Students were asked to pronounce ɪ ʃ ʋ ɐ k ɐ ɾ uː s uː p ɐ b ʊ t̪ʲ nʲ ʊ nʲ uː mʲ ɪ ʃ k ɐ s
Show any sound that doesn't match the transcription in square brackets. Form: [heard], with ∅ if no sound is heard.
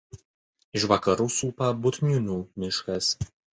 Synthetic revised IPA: ɪ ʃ ʋ ɐ k ɐ ɾ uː s uː p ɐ b ʊ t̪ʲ nʲ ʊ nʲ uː mʲ ɪ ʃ k ɐ s